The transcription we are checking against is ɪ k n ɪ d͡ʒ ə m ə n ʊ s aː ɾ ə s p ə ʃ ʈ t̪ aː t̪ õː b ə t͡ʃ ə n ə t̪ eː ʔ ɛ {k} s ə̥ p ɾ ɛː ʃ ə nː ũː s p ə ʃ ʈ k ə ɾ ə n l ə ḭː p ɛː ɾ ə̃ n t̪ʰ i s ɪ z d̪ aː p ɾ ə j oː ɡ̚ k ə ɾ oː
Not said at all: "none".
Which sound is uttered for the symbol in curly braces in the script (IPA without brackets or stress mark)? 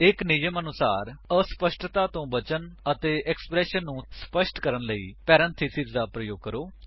k